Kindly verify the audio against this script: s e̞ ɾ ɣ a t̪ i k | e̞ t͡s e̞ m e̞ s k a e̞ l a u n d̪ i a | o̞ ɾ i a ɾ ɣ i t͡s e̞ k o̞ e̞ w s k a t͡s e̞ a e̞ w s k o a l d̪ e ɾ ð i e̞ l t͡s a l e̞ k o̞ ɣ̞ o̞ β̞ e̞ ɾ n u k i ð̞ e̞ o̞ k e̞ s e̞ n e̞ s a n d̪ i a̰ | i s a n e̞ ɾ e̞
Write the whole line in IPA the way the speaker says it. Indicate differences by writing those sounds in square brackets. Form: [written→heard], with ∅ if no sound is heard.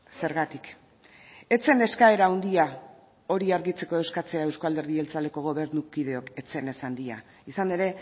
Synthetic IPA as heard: s e̞ ɾ ɣ a t̪ i k | e̞ t͡s e̞ [m→n] e̞ s k a e̞ [l→ɾ] a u n d̪ i a | o̞ ɾ i a ɾ ɣ i t͡s e̞ k o̞ e̞ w s k a t͡s e̞ a e̞ w s k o a l d̪ e ɾ ð i e̞ l t͡s a l e̞ k o̞ ɣ̞ o̞ β̞ e̞ ɾ n u k i ð̞ e̞ o̞ k e̞ [s→t͡s] e̞ n e̞ s a n d̪ i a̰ | i s a n e̞ ɾ e̞